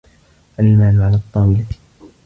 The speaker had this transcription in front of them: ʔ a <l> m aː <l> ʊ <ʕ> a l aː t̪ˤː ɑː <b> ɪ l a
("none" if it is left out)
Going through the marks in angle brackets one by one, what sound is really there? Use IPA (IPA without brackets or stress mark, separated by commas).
l, l, ʕ, w